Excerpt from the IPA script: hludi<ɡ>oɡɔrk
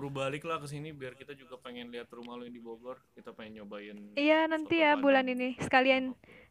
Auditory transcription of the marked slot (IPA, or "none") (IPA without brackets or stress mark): b